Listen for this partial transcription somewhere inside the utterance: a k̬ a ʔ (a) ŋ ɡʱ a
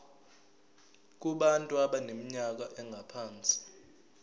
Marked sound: incorrect: ɛ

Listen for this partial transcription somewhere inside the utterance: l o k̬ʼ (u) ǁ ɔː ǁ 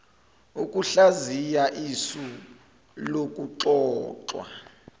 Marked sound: correct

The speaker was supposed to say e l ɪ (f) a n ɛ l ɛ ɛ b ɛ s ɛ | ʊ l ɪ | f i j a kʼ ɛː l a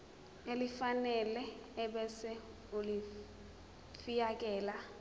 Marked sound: correct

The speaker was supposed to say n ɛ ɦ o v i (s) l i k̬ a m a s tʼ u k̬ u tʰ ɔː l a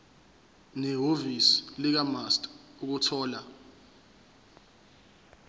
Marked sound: correct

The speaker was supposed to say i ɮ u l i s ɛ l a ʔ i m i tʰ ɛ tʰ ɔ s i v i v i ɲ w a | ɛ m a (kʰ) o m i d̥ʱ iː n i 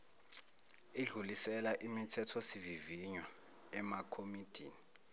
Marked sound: correct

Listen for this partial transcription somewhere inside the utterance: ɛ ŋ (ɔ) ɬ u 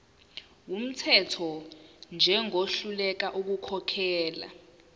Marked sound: incorrect: o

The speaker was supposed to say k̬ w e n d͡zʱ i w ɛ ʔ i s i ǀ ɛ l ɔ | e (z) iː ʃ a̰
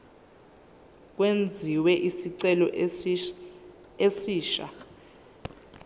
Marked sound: incorrect: s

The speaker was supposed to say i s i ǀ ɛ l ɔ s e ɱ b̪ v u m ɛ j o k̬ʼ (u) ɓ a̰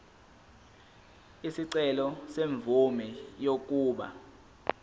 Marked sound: incorrect: uː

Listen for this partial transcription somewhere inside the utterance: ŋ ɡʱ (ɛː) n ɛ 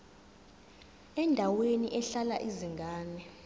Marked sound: incorrect: aː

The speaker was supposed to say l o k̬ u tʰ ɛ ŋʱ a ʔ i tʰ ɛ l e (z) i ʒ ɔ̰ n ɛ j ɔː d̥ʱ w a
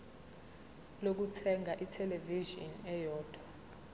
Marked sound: incorrect: v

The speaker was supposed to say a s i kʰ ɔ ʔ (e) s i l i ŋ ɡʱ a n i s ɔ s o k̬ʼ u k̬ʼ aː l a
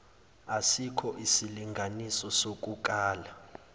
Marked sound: incorrect: i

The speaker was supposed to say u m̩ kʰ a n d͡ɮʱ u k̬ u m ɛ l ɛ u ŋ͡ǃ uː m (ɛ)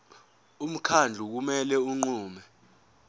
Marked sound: correct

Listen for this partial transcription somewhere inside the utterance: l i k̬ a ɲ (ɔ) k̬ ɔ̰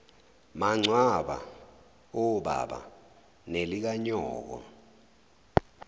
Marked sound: incorrect: ɔː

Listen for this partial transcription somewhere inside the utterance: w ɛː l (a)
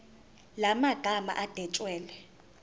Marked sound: incorrect: ɛ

